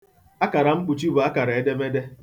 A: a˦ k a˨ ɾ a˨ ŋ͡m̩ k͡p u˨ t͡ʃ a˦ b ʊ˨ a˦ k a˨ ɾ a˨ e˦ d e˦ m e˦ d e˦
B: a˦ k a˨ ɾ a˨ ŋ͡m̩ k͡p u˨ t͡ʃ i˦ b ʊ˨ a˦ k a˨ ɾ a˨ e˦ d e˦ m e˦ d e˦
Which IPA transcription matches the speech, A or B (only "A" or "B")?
B